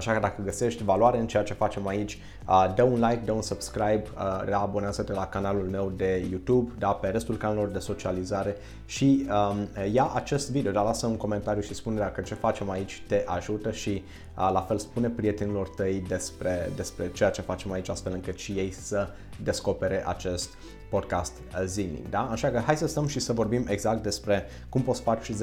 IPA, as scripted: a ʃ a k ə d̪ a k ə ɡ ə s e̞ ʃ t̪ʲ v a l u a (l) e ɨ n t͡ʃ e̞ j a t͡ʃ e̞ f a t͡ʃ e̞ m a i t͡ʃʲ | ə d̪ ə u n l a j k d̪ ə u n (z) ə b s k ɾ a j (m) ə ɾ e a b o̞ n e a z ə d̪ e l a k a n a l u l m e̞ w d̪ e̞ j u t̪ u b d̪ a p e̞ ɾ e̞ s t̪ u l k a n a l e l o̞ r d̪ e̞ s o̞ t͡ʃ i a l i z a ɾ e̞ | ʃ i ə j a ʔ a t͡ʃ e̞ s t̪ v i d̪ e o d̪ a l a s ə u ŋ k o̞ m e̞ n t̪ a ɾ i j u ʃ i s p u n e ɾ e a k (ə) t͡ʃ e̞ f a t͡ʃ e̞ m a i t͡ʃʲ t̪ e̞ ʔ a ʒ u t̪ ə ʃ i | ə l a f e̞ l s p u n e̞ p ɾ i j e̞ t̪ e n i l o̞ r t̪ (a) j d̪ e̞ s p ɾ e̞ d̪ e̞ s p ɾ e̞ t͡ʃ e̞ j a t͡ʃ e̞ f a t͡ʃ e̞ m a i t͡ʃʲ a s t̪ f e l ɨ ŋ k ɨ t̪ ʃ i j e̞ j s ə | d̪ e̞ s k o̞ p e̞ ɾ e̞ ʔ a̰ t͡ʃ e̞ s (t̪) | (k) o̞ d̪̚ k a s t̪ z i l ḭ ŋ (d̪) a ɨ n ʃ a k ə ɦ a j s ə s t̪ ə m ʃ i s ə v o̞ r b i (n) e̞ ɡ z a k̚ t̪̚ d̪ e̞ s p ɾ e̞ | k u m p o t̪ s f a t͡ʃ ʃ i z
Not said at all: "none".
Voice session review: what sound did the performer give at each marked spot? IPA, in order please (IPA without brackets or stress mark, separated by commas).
ɾ, s, b, ə, ə, t̪, p, d̪, m